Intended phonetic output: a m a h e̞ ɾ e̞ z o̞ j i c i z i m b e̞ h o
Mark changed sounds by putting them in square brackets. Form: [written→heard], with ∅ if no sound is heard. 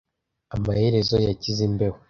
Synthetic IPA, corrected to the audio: a m a h e̞ ɾ e̞ z o̞ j [i→a] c i z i m b e̞ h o